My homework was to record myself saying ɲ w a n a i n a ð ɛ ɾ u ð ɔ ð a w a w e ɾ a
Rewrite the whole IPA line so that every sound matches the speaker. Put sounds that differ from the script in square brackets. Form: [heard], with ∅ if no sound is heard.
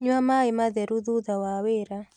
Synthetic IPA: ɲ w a [m] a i [m] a ð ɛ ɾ u ð [u] ð a w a w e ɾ a